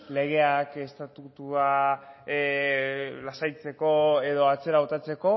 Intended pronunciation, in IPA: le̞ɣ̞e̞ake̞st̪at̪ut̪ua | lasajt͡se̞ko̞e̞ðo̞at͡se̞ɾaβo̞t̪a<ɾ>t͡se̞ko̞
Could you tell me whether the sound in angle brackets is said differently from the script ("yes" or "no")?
yes